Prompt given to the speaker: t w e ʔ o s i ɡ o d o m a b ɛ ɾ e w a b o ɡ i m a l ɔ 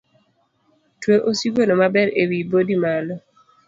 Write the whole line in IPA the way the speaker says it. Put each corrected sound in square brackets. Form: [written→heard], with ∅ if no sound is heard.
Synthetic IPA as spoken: t w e ʔ o s i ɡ o [d→n] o m a b ɛ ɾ e w [a→i] b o [ɡ→d] i m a l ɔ